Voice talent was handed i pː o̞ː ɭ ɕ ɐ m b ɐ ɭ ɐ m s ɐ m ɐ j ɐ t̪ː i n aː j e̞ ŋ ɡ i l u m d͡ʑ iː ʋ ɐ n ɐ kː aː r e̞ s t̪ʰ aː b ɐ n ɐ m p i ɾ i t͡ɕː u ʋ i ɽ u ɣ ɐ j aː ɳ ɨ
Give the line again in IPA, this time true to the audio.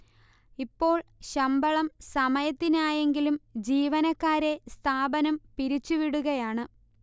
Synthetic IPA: i pː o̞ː ɭ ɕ ɐ m b ɐ ɭ ɐ m s ɐ m ɐ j ɐ t̪ː i n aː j e̞ ŋ ɡ i l u m d͡ʑ iː ʋ ɐ n ɐ kː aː ɾ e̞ s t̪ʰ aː b ɐ n ɐ m p i ɾ i t͡ɕː u ʋ i ɽ u ɣ ɐ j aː ɳ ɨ